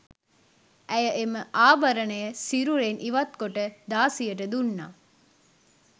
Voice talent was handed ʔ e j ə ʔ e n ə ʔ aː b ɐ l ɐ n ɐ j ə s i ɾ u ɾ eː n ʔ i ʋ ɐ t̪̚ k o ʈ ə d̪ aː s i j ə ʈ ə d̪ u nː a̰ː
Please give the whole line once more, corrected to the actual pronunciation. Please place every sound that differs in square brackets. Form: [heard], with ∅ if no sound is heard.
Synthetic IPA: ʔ [æ] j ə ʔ e [m] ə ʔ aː b ɐ [ɾ] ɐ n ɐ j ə s i ɾ u ɾ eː n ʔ i ʋ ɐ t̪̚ k o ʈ ə d̪ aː s i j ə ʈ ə d̪ u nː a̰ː